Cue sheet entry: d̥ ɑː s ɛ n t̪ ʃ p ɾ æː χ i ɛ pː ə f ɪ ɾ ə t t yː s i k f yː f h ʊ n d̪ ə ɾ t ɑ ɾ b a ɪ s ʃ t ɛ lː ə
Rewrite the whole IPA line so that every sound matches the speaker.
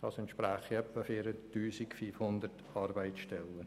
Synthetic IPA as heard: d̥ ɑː s ɛ n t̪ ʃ p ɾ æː χ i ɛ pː ə f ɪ ɾ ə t t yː s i k f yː f h ʊ n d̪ ə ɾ t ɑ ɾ b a ɪ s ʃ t ɛ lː ə